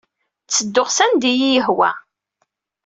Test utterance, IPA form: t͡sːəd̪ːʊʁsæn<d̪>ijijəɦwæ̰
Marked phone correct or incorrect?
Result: correct